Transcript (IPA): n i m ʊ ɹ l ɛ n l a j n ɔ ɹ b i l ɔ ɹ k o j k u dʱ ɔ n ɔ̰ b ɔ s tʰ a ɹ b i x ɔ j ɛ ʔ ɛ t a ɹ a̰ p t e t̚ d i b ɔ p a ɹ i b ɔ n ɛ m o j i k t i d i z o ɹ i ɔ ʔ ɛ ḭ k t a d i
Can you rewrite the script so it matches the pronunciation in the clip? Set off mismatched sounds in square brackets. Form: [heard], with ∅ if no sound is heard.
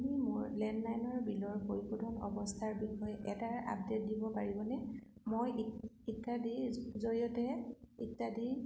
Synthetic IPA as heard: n i m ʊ ɹ l ɛ n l a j n ɔ ɹ b i l ɔ ɹ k o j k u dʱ ɔ n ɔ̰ b ɔ s tʰ a ɹ b i x ɔ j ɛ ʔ ɛ t a ɹ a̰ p [d] e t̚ d i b ɔ p a ɹ i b ɔ n ɛ m o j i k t [a] d i z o ɹ i ɔ [t] ɛ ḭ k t a d i